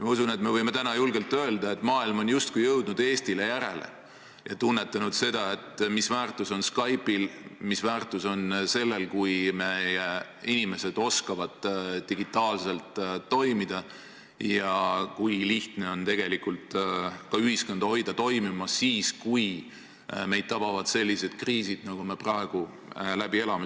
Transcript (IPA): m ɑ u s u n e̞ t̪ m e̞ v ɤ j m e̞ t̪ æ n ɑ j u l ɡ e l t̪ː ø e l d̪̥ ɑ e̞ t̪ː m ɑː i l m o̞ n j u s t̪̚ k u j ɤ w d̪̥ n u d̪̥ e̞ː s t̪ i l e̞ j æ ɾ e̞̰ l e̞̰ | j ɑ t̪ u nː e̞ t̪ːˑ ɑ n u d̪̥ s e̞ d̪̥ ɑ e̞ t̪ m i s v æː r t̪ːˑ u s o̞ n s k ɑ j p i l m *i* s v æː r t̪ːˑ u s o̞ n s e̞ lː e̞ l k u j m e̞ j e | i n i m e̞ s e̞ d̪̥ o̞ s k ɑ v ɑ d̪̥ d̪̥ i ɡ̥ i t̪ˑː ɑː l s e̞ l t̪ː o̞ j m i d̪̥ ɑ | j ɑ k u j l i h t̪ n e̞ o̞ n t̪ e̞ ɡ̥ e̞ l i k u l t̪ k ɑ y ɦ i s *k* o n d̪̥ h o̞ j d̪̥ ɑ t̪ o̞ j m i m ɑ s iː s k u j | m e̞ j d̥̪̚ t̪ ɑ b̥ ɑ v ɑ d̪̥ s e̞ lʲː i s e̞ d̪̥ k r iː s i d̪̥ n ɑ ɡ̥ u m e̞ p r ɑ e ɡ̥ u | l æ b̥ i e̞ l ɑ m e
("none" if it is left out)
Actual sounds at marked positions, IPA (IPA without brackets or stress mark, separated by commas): i, k